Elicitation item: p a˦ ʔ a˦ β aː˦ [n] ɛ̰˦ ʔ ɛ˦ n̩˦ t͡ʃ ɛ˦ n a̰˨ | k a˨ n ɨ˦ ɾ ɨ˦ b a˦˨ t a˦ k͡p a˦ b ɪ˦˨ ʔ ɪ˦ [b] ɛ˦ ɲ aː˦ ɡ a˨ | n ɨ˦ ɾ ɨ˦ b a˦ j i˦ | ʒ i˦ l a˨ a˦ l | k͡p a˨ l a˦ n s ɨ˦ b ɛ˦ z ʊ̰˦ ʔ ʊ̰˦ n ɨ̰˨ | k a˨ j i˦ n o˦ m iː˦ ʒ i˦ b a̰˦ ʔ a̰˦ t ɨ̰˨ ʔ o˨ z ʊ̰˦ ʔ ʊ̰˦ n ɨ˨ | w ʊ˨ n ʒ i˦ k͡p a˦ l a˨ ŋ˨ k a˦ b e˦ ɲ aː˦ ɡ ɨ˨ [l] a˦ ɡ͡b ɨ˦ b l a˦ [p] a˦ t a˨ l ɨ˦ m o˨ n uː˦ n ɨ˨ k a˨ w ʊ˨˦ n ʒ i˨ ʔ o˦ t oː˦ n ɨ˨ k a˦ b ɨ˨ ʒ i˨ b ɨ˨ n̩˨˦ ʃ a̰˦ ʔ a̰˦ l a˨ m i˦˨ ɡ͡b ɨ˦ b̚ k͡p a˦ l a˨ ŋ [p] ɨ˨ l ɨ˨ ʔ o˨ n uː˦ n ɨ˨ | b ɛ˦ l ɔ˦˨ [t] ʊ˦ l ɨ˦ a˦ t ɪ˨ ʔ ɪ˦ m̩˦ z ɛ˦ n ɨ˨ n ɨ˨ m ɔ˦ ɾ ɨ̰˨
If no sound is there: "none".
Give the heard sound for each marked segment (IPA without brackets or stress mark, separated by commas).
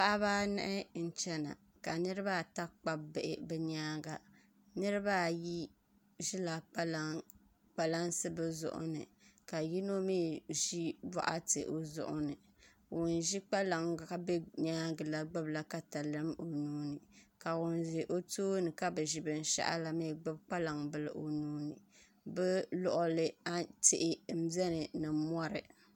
n, b, l, k, b, ʔ